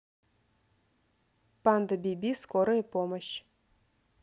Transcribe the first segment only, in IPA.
p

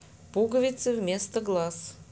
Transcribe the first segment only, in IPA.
p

